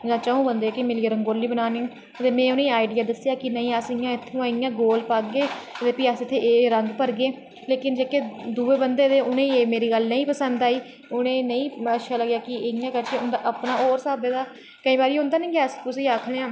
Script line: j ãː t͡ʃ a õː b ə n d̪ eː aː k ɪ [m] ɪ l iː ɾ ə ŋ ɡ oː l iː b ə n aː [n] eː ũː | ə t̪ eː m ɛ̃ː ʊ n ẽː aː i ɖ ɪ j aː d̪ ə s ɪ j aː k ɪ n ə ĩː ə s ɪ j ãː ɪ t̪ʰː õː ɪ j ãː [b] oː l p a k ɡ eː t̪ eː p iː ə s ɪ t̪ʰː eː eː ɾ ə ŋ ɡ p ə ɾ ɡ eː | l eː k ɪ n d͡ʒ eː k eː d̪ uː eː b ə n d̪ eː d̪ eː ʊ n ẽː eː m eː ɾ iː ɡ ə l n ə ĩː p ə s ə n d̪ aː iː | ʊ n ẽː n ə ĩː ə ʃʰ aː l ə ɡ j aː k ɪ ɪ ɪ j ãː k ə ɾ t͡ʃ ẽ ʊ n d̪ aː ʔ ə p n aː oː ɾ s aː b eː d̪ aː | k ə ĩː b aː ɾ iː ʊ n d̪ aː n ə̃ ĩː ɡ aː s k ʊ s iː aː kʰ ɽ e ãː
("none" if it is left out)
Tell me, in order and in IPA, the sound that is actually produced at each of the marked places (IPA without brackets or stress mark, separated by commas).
m, n, ɡ